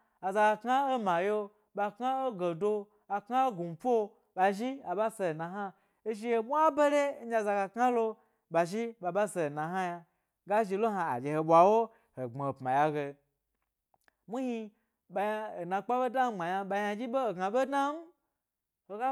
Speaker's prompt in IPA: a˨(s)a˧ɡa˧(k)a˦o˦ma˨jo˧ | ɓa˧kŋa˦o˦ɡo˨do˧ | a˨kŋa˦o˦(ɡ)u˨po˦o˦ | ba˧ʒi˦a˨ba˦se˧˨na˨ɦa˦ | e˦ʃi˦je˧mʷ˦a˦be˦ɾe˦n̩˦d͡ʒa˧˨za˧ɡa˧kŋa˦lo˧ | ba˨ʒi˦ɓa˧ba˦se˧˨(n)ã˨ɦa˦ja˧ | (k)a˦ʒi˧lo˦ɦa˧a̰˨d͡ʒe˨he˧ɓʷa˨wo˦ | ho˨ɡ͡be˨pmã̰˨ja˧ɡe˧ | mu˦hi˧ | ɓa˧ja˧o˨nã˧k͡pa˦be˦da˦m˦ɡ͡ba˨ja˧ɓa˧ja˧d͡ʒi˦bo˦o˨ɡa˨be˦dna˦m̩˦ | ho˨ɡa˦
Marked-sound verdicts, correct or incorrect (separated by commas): incorrect, correct, correct, correct, incorrect